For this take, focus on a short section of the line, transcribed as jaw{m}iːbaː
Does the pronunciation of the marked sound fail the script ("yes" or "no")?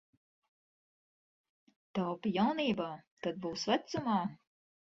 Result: yes